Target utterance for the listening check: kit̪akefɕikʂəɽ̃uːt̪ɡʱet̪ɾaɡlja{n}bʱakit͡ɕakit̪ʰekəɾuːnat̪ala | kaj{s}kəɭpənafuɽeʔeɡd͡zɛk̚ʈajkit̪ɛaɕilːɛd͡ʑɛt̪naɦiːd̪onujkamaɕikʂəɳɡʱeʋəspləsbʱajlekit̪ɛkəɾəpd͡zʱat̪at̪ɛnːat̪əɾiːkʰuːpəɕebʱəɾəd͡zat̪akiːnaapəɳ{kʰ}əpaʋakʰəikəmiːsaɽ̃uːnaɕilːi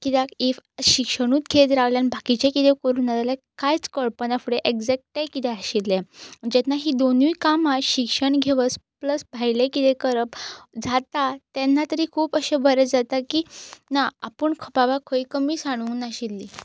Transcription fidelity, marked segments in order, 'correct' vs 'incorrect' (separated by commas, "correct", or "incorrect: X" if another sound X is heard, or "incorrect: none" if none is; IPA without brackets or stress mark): correct, incorrect: t͡s, correct